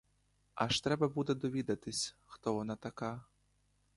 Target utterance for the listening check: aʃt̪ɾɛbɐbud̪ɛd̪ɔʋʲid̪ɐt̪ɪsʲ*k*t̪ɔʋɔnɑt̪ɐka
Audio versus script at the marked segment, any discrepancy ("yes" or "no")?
yes